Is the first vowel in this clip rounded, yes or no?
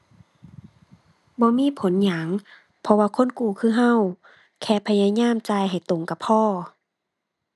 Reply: yes